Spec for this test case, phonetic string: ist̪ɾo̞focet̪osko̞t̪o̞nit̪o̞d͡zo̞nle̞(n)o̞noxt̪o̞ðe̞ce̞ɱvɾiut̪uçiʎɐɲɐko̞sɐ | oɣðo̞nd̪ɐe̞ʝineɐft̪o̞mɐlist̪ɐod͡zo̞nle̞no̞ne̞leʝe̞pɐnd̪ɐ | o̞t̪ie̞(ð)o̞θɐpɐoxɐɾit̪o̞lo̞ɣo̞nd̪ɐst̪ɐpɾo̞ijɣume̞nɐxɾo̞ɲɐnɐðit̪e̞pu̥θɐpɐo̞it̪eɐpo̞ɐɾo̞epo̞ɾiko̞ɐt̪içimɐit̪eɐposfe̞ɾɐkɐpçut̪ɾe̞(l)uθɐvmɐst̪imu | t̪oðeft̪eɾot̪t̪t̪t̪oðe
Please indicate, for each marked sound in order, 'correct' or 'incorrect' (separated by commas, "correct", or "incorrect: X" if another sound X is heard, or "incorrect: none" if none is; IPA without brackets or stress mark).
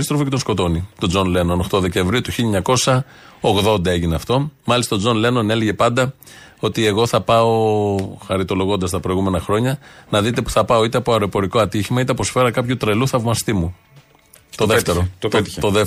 correct, incorrect: ɣ, correct